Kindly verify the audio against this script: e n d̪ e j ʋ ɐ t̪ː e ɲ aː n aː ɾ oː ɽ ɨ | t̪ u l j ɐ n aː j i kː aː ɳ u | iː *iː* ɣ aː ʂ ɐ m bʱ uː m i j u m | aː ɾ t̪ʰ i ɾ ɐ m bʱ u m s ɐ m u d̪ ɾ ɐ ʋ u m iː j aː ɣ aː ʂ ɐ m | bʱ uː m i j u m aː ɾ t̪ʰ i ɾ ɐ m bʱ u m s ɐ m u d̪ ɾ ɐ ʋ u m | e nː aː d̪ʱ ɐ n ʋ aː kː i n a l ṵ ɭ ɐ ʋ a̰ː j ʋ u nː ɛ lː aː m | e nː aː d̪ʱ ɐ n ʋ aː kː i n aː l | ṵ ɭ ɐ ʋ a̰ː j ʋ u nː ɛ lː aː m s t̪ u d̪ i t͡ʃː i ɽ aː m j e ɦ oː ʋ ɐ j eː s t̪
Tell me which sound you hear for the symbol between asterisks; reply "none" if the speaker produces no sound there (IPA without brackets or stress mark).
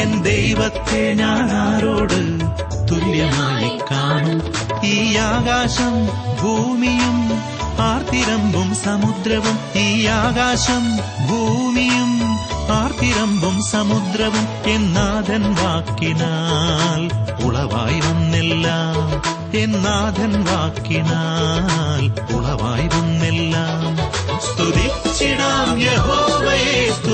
aː